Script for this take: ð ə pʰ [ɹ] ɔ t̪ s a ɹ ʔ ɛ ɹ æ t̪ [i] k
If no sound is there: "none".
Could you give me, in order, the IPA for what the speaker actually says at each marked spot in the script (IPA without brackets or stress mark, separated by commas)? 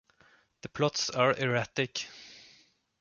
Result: l, ɪ